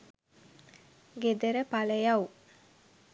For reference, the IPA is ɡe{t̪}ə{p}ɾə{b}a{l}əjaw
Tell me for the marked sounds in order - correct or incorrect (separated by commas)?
incorrect, incorrect, incorrect, correct